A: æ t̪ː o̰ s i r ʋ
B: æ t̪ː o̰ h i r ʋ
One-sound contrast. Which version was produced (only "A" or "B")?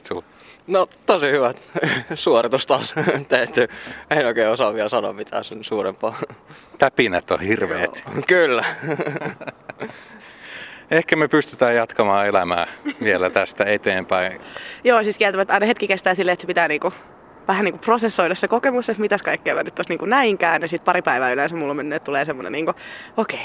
B